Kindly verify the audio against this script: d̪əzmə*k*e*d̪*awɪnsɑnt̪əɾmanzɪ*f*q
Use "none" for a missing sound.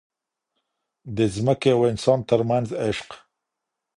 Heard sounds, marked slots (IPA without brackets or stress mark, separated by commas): k, none, ʃ